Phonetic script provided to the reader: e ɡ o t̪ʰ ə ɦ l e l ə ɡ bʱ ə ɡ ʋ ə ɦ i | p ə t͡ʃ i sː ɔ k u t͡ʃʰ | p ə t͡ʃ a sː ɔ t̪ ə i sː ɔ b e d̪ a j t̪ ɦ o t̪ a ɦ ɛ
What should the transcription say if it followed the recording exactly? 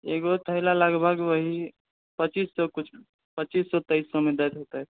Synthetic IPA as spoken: e ɡ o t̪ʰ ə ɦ l a l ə ɡ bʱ ə ɡ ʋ ə ɦ i | p ə t͡ʃ i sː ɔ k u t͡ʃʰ | p ə t͡ʃ i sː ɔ t̪ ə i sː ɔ m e d̪ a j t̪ ɦ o t̪ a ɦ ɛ